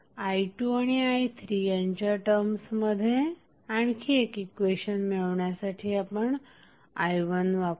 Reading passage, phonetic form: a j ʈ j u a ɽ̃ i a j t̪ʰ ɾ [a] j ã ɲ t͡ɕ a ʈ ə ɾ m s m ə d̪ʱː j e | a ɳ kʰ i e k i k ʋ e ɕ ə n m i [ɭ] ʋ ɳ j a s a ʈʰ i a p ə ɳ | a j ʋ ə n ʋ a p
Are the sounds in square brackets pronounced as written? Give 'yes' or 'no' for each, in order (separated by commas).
no, yes